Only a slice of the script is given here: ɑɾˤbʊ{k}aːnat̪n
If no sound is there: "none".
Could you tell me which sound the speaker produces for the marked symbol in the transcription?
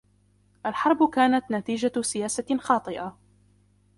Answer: k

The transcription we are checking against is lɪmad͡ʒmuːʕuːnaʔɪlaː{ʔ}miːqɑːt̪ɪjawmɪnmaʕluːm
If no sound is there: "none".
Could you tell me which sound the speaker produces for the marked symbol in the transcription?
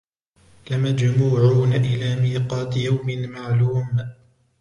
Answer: none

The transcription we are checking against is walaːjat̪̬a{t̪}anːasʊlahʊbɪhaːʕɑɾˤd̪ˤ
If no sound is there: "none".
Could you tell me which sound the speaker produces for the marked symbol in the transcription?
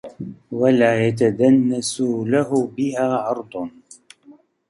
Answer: d̪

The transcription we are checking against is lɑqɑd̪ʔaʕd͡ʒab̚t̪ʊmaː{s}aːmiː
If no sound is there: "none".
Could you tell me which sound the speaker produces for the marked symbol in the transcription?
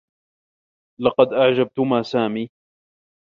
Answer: s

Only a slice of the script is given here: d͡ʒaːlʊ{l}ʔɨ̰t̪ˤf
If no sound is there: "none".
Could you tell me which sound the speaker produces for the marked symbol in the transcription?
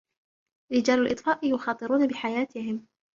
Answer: l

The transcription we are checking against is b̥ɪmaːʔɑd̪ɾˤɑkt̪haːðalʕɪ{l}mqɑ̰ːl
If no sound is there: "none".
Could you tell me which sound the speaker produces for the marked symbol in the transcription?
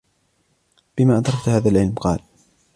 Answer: l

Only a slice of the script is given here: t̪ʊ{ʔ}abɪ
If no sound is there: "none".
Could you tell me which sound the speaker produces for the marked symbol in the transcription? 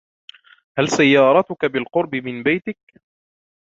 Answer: k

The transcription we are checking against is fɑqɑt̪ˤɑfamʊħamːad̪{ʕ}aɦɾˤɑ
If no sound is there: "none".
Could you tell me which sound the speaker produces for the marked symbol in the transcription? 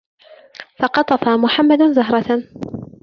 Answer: z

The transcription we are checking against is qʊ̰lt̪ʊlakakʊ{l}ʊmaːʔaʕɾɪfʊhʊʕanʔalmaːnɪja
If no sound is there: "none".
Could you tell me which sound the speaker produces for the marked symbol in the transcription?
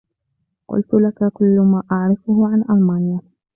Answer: lː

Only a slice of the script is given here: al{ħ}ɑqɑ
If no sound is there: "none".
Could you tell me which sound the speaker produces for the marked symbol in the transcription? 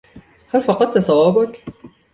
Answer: f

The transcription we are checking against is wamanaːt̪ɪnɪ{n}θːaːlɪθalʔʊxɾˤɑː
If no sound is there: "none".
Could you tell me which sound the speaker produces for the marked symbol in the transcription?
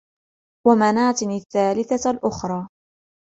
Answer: none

